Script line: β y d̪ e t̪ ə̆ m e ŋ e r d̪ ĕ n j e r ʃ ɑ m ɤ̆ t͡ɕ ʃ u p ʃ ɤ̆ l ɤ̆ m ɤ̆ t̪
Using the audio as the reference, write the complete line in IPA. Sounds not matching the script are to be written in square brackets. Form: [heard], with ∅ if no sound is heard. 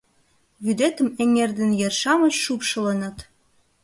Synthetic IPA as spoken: β y d̪ e t̪ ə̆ m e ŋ e r d̪ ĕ n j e r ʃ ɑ m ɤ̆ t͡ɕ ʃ u p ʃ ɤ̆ l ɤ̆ [n] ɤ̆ t̪